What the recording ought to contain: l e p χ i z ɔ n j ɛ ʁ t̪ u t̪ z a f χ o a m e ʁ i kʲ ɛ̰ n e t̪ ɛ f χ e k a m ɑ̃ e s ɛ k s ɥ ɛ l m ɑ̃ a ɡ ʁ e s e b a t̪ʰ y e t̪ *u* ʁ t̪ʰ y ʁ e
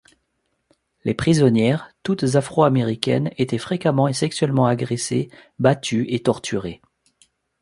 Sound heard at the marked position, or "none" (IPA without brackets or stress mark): ɔ